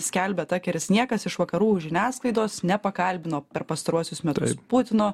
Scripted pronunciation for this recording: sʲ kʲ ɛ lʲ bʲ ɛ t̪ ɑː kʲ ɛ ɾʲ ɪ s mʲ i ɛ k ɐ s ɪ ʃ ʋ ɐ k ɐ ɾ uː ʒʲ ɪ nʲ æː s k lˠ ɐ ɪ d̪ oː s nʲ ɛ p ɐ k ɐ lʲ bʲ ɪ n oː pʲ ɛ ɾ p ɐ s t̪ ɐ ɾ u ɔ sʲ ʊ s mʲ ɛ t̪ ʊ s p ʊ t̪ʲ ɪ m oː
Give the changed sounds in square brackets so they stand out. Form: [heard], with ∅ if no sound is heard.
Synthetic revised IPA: sʲ kʲ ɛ lʲ bʲ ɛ t̪ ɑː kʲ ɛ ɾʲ ɪ s [nʲ] i ɛ k ɐ s ɪ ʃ ʋ ɐ k ɐ ɾ uː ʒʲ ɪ nʲ æː s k lˠ ɐ ɪ d̪ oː s nʲ ɛ p ɐ k ɐ lʲ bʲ ɪ n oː pʲ ɛ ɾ p ɐ s t̪ ɐ ɾ u ɔ sʲ ʊ s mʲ ɛ t̪ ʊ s p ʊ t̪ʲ ɪ [n] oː